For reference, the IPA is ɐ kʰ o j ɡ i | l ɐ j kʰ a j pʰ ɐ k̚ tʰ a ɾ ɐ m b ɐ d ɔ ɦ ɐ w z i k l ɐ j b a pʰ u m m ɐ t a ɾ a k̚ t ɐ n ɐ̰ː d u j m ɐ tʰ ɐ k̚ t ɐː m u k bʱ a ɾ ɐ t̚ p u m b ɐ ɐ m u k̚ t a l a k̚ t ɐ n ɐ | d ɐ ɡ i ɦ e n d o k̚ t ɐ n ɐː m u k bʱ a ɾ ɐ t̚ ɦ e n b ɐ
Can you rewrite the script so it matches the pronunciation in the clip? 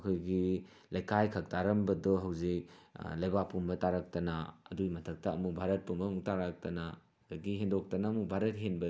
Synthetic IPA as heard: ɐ kʰ o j ɡ i | l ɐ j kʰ a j kʰ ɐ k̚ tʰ a ɾ ɐ m b ɐ d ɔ ɦ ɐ w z i k l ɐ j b a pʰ u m b ɐ t a ɾ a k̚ t ɐ n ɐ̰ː d u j m ɐ tʰ ɐ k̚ t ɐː m u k bʱ a ɾ ɐ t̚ p u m b ɐ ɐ m u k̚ t a ɾ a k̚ t ɐ n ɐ | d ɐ ɡ i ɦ e n d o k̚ t ɐ n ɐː m u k bʱ a ɾ ɐ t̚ ɦ e n b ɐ